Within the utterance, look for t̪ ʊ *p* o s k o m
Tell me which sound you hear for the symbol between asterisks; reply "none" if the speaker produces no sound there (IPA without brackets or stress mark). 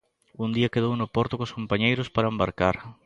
k